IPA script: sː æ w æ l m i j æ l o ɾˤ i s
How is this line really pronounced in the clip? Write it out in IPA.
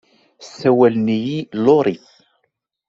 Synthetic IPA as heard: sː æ w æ l n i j i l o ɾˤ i θ